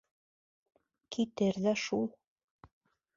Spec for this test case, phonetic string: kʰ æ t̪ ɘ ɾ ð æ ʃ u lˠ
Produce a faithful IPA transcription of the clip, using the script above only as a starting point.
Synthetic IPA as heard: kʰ i t̪ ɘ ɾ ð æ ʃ u lˠ